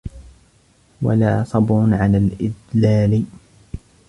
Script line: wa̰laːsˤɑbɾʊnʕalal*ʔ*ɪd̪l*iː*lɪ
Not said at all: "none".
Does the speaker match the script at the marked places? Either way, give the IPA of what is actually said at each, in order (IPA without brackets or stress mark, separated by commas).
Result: ʔ, aː